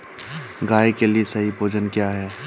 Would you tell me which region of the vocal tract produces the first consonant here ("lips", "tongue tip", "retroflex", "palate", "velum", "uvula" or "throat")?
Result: velum